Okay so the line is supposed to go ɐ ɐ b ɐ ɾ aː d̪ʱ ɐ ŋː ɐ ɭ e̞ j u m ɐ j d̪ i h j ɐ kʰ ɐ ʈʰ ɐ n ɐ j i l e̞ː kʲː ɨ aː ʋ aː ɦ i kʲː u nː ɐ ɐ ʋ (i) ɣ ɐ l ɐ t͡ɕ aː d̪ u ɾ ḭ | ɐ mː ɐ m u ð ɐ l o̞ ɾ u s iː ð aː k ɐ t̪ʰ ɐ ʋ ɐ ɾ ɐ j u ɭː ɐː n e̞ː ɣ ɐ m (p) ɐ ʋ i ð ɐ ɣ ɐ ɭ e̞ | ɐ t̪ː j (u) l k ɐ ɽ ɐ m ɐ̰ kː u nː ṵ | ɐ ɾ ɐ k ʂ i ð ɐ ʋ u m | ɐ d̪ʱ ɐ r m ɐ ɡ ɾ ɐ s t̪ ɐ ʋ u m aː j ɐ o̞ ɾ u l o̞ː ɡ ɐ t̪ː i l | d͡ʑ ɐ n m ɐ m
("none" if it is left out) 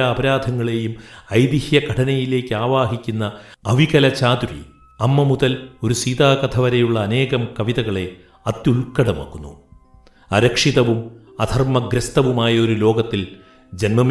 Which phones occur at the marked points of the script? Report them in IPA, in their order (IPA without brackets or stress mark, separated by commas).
i, k, u